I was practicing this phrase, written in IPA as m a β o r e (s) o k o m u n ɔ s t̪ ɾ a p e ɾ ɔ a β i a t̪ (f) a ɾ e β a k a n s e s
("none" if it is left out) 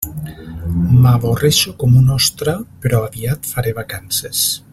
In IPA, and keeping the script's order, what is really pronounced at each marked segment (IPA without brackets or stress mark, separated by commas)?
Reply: ʃ, f